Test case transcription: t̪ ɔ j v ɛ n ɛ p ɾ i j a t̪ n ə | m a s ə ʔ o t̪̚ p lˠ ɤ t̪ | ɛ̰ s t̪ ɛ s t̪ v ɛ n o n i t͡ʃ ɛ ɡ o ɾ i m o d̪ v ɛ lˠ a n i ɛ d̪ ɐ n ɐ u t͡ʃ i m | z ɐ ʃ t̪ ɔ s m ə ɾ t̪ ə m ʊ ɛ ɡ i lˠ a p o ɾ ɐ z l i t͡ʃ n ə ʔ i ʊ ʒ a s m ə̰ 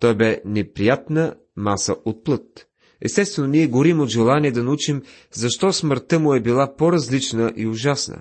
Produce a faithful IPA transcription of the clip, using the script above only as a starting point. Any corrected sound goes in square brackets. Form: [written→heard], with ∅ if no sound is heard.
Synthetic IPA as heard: t̪ ɔ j [v→b] ɛ n ɛ p ɾ i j a t̪ n ə | m a s ə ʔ o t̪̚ p lˠ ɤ t̪ | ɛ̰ s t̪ ɛ s t̪ v ɛ n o n i [t͡ʃ→∅] ɛ ɡ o ɾ i m o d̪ [v→ʒ] ɛ lˠ a n i ɛ d̪ ɐ n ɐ u t͡ʃ i m | z ɐ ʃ t̪ ɔ s m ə ɾ t̪ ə m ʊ ɛ [ɡ→b] i lˠ a p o ɾ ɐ z l i t͡ʃ n ə ʔ i ʊ ʒ a s [m→n] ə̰